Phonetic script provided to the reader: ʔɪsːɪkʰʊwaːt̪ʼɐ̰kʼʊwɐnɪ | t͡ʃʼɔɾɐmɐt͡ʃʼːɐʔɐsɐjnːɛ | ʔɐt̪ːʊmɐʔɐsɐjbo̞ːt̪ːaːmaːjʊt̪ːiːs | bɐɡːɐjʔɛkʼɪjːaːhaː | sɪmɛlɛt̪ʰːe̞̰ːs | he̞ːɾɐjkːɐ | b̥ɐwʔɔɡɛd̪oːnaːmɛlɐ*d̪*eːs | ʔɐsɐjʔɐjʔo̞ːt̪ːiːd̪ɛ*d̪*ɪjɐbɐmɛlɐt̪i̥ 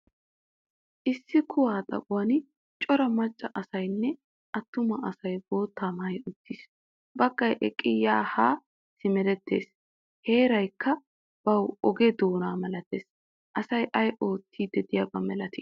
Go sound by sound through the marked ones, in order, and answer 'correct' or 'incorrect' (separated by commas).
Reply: incorrect, correct